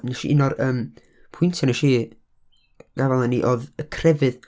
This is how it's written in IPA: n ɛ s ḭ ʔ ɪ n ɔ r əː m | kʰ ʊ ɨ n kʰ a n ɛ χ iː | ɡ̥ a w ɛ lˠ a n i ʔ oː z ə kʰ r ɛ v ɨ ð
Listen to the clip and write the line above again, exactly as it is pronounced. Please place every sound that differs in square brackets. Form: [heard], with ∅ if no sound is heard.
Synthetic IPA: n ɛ [ʃ] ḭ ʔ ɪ n ɔ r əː m | [pʰ] ʊ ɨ n [tʰ] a n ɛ [ʃ] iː | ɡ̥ a [v] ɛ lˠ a n i ʔ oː [ð] ə kʰ r ɛ v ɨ ð